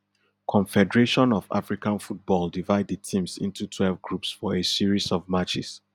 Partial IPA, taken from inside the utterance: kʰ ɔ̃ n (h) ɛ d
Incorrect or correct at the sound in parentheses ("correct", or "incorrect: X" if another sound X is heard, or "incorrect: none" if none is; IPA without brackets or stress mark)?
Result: incorrect: f